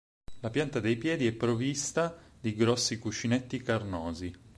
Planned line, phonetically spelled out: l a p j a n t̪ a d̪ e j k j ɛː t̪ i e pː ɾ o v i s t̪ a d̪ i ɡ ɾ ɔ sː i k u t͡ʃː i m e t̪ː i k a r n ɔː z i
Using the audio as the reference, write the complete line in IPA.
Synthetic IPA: l a p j a n t̪ a d̪ e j p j ɛː d̪ i ɛ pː ɾ o v i s t̪ a d̪ i ɡ ɾ ɔ sː i k u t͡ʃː i n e t̪ː i k a r n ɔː z i